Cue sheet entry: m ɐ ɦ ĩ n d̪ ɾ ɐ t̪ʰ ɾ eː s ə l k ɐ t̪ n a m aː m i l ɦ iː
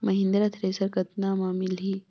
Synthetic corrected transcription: m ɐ ɦ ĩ n d̪ ɾ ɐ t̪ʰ ɾ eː s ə ɾ k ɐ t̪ n a m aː m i l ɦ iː